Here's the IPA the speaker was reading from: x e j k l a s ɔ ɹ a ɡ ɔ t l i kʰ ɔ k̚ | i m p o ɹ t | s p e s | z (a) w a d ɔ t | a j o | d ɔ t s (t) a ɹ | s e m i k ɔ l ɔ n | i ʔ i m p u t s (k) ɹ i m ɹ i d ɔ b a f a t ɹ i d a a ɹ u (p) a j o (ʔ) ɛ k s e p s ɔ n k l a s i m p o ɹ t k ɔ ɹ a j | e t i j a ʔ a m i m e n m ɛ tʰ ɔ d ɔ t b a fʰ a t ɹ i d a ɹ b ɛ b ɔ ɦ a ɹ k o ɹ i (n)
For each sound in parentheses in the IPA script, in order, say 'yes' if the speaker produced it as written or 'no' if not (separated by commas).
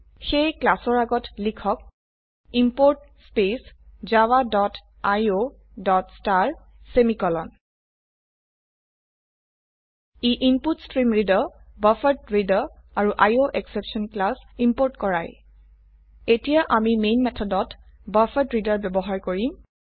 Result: yes, yes, no, no, yes, no